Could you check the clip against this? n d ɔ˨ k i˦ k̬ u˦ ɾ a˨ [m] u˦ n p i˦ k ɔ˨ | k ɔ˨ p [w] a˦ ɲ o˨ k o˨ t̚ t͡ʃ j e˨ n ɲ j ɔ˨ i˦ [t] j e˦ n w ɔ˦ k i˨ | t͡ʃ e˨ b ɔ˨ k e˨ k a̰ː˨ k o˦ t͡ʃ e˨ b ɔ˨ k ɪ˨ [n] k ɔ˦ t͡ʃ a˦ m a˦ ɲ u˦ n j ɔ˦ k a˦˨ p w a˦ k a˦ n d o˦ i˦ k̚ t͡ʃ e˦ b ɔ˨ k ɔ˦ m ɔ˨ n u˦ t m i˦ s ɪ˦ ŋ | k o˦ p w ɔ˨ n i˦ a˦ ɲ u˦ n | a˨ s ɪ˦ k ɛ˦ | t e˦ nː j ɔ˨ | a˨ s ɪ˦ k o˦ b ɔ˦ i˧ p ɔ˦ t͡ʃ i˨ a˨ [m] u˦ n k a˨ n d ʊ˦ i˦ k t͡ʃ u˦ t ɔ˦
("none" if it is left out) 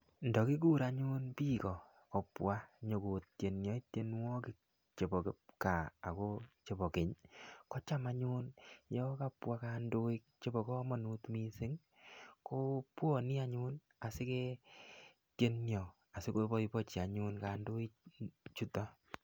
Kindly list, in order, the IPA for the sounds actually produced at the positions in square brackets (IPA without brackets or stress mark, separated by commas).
ɲ, w, t, ɲ, ɲ